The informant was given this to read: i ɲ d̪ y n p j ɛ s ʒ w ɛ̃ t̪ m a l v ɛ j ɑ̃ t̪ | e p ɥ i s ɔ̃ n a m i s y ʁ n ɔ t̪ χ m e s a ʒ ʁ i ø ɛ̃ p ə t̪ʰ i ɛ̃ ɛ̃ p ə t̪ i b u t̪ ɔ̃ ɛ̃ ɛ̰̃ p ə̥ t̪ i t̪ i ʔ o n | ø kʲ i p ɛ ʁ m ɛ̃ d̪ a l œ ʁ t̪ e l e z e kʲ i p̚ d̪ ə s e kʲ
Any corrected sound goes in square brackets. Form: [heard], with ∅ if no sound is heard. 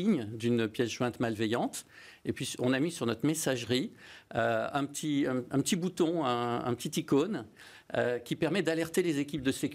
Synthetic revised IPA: i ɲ d̪ y n p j ɛ s ʒ w ɛ̃ t̪ m a l v ɛ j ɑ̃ t̪ | e p ɥ i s ɔ̃ n a m i s y ʁ n ɔ t̪ χ m e s a ʒ ʁ i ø ɛ̃ p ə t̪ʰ i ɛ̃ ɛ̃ p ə t̪ i b u t̪ ɔ̃ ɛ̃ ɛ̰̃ p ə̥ t̪ i t̪ i [k] o n | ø kʲ i p ɛ ʁ m [ɛ] d̪ a l [ɛ] ʁ t̪ e l e z e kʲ i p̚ d̪ ə s e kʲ